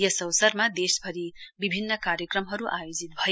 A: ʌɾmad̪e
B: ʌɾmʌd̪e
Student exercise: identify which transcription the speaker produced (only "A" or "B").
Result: A